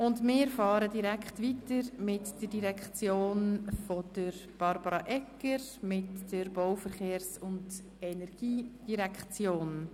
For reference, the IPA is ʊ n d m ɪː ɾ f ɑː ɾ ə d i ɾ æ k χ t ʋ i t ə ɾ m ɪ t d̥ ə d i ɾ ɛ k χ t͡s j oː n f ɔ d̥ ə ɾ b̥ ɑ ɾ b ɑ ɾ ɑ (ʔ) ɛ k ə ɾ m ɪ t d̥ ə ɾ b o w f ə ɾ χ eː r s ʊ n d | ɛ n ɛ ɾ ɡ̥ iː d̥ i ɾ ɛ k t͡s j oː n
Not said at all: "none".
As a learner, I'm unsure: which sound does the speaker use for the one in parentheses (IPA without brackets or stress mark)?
ʔ